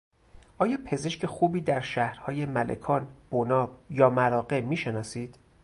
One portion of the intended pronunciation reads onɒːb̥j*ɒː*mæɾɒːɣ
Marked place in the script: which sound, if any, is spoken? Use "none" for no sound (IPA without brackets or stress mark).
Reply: ɒː